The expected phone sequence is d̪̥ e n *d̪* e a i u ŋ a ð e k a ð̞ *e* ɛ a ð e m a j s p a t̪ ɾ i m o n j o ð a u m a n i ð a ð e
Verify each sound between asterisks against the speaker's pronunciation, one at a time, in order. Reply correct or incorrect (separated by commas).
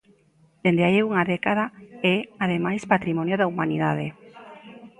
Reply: correct, incorrect